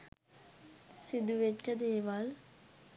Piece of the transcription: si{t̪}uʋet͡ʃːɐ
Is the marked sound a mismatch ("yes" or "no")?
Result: yes